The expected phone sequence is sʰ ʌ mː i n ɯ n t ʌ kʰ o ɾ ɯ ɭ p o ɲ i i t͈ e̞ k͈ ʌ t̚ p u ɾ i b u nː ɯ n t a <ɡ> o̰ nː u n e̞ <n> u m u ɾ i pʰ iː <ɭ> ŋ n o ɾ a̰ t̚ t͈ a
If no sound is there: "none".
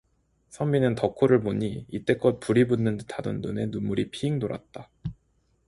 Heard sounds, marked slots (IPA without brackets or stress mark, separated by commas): d, n, none